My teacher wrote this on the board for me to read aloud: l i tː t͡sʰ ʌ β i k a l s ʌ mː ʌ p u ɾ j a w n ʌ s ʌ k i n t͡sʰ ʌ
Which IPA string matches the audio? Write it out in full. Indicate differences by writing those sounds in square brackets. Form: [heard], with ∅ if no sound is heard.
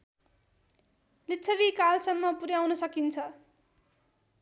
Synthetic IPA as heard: l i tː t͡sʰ ʌ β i k a l s ʌ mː ʌ p u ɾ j a w n ʌ s ʌ k i n t͡sʰ ʌ